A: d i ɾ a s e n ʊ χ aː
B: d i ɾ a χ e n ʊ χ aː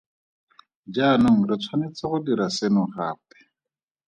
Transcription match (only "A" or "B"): A